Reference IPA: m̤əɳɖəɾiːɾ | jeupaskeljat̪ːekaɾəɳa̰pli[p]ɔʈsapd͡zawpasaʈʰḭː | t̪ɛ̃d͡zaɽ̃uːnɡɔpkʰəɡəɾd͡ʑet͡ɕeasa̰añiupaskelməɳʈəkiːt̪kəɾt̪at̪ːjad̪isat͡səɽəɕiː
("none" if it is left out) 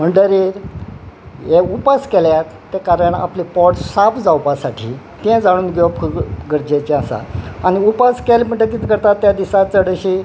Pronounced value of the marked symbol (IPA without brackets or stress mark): p